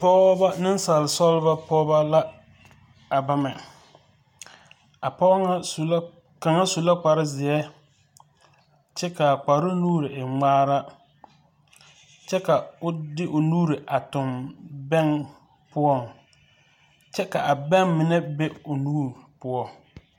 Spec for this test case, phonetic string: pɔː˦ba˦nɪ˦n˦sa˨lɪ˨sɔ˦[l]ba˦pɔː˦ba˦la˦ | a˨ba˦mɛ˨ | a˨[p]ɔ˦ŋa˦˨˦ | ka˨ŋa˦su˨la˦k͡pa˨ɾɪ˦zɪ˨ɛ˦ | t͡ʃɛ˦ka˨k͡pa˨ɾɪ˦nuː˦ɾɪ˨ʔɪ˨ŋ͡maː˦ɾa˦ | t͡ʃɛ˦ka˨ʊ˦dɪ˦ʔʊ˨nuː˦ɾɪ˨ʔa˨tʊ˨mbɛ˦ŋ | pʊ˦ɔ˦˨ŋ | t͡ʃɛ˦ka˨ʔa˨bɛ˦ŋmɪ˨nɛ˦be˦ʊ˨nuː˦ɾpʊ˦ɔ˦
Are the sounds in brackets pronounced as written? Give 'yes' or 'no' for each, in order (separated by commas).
yes, yes